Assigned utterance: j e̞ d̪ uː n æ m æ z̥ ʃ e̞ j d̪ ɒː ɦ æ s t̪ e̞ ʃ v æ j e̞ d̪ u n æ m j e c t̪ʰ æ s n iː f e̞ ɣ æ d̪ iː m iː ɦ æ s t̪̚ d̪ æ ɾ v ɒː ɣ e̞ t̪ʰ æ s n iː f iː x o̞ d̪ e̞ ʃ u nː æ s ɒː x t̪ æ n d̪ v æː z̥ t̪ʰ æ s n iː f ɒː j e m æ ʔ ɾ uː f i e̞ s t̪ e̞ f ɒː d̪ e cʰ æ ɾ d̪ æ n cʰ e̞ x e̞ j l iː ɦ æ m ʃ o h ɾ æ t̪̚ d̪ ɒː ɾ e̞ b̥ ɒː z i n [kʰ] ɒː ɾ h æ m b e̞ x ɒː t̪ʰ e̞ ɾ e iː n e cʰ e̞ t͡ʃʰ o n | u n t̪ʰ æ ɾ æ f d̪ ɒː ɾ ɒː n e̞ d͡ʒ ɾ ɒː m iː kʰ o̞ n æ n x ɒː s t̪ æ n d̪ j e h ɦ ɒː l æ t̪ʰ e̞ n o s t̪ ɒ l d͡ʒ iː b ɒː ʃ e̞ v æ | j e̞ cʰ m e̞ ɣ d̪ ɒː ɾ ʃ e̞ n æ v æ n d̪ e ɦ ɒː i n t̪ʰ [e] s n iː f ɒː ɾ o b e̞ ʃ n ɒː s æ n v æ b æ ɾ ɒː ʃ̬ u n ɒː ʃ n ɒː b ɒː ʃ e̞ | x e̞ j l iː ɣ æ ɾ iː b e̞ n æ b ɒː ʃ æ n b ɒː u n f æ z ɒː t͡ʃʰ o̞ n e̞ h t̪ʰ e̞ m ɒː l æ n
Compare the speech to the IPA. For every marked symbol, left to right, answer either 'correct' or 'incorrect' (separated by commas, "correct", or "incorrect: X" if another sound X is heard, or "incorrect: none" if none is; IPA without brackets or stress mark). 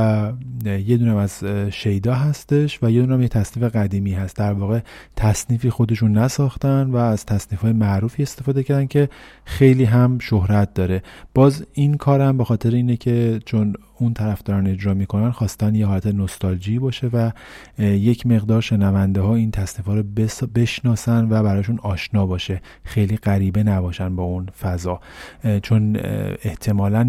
correct, incorrect: æ